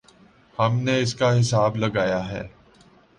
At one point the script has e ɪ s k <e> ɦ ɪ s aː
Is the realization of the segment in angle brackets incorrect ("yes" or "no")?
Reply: yes